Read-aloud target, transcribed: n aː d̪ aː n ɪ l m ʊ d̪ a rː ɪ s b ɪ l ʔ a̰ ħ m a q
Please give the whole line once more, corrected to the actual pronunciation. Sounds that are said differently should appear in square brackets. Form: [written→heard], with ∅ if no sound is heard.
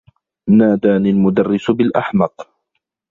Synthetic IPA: n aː d̪ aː n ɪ l m ʊ d̪ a rː ɪ s b ɪ l ʔ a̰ ħ m [a→ɑ] q